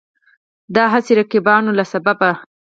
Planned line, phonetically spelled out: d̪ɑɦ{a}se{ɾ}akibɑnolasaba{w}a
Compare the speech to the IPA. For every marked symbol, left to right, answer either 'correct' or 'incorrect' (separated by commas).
correct, correct, incorrect